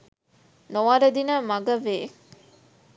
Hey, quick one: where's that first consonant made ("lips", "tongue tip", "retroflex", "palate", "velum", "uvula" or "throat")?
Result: tongue tip